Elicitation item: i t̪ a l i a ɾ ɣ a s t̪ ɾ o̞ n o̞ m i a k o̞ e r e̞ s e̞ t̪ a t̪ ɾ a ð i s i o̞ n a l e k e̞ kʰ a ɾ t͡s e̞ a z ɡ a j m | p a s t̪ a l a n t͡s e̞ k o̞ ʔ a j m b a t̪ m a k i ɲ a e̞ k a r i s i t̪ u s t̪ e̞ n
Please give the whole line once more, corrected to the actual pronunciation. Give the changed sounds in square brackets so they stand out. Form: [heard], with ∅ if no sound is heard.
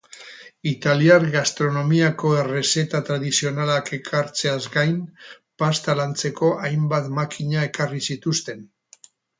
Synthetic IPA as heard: i t̪ a l i a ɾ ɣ a s t̪ ɾ o̞ n o̞ m i a k o̞ e r e̞ s e̞ t̪ a t̪ ɾ a ð i s i o̞ n a l [a] k e̞ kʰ a ɾ t͡s e̞ a z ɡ a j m | p a s t̪ a l a n t͡s e̞ k o̞ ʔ a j m b a t̪ m a k i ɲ a e̞ k a r i s i t̪ u s t̪ e̞ n